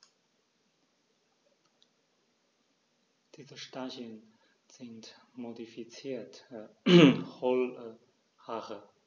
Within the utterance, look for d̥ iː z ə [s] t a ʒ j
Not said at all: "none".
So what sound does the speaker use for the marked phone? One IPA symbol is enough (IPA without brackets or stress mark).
ʃ